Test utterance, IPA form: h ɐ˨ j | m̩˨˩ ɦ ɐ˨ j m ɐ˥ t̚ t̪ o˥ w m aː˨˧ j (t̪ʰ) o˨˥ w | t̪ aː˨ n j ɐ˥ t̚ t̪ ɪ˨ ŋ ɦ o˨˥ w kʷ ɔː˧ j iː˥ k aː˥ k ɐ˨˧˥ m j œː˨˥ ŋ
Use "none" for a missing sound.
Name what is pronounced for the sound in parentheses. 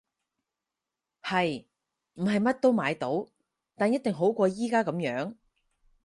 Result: t̪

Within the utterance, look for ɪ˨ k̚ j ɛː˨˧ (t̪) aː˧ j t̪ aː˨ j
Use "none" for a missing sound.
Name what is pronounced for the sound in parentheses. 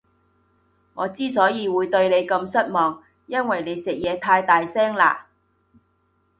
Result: t̪ʰ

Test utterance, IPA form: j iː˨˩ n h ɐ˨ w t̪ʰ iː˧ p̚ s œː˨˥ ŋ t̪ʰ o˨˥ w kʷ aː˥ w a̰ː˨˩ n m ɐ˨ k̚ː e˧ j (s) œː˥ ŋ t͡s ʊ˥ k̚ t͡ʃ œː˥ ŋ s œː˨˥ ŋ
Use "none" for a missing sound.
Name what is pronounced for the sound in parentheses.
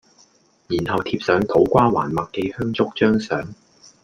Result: h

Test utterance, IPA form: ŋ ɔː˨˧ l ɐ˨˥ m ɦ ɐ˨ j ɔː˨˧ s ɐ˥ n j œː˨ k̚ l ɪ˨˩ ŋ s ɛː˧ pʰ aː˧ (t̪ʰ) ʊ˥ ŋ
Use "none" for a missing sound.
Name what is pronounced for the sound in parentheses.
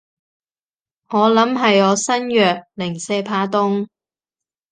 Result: t̪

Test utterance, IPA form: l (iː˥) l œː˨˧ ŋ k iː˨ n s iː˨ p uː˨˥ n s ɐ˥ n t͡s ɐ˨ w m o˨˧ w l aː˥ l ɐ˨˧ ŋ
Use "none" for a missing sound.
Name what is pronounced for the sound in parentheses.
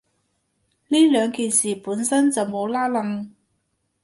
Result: iː˥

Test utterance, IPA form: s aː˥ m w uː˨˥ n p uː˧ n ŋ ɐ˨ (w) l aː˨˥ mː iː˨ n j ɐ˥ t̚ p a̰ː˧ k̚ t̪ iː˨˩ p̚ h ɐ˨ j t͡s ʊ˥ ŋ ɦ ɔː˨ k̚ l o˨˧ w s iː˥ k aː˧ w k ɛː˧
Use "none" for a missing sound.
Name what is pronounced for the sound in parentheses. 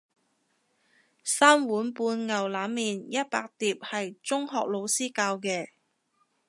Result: w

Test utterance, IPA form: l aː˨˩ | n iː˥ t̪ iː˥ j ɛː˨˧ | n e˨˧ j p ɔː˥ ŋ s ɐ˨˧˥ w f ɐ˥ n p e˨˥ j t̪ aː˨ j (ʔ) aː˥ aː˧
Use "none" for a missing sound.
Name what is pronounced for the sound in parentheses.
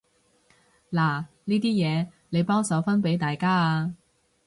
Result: k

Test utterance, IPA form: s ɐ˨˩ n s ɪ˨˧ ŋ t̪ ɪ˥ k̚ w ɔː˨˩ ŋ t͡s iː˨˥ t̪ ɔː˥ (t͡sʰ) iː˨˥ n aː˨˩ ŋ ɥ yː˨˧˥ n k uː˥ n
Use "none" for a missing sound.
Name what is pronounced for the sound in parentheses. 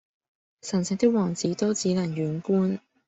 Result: t͡s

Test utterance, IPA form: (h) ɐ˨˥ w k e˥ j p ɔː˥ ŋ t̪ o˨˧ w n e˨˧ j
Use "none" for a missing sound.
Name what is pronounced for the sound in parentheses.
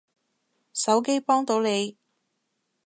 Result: s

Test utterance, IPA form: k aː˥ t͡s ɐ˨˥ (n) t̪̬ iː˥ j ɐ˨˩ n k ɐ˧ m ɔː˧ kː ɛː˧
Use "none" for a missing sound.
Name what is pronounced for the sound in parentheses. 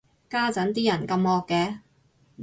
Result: n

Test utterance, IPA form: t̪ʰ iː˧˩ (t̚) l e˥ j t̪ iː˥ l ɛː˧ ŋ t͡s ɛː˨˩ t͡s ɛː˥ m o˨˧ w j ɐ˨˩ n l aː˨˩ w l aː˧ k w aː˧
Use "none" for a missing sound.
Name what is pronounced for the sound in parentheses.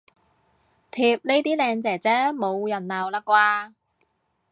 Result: p̚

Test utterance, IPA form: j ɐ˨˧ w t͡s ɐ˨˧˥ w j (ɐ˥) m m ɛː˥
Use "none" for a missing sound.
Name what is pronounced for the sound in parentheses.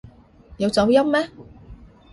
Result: ɐ˥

